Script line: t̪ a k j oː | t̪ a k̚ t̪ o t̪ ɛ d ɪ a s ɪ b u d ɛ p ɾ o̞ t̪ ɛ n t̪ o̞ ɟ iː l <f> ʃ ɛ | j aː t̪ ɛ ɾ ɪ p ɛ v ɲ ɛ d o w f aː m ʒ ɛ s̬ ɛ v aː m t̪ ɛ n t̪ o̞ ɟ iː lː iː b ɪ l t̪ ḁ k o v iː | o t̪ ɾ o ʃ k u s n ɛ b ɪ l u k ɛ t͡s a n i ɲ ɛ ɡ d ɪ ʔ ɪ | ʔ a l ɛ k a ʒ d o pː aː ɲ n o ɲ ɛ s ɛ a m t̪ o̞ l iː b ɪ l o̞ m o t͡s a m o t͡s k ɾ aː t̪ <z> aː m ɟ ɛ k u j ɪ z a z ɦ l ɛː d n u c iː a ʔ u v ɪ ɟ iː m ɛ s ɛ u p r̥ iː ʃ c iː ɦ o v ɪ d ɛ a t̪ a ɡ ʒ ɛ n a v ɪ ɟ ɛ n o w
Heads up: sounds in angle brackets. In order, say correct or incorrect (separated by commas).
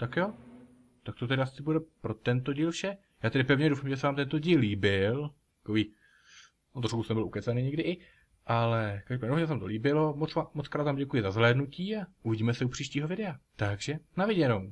correct, incorrect